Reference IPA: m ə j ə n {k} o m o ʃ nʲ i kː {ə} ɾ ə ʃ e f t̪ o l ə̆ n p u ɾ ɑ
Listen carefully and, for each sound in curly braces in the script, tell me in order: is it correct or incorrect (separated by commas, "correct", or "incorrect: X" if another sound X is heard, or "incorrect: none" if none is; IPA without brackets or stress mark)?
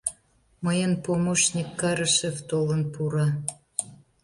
incorrect: p, incorrect: ɑ